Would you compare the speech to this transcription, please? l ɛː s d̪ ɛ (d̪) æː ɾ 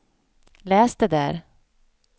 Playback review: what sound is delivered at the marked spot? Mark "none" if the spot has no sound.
d̪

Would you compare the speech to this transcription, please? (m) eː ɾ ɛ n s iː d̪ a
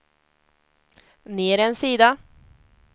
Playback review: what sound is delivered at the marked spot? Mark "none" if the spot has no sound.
n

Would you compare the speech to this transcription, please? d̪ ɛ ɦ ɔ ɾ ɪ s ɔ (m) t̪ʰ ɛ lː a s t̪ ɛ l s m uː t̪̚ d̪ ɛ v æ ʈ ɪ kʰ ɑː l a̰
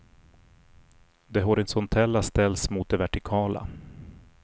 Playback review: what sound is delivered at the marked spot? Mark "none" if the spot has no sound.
n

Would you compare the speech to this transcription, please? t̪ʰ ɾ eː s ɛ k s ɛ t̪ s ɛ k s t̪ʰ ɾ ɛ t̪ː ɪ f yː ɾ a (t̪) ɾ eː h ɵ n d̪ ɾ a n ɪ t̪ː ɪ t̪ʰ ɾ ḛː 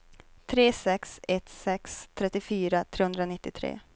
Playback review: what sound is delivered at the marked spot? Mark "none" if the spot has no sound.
t̪ʰ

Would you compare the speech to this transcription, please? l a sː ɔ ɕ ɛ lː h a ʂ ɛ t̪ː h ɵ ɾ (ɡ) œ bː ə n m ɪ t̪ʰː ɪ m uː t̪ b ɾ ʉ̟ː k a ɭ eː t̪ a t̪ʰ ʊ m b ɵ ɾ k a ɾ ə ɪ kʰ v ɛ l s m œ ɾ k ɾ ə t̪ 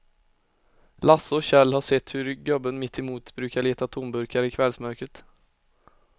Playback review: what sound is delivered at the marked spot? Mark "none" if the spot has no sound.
ɡ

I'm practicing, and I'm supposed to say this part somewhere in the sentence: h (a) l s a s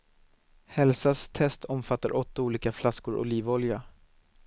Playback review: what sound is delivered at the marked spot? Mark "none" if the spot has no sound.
ɛ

